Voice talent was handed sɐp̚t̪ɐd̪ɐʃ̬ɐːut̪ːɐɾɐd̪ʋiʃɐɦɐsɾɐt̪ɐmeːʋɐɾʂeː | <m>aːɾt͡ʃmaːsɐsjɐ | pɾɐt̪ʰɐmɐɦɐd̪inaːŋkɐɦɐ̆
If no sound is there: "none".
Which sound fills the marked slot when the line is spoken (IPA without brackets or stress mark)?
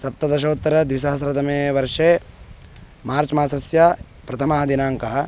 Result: m